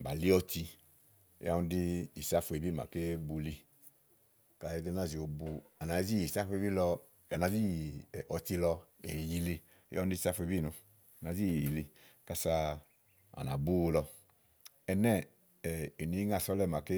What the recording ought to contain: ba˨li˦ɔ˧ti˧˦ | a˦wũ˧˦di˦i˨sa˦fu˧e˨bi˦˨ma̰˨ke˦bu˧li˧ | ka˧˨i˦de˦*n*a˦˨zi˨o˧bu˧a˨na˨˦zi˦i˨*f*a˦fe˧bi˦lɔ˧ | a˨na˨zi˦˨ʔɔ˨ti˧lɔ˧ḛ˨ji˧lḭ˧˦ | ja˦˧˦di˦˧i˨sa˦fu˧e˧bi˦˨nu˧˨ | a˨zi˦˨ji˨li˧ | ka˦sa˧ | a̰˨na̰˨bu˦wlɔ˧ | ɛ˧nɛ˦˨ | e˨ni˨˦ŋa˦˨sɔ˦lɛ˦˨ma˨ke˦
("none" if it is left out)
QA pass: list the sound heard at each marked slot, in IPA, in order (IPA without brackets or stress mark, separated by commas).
n, s